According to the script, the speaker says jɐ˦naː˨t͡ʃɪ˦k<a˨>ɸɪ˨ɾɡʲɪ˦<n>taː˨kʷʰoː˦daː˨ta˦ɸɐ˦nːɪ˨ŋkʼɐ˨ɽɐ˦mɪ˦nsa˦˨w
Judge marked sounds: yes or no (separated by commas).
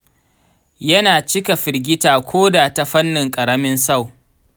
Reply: yes, no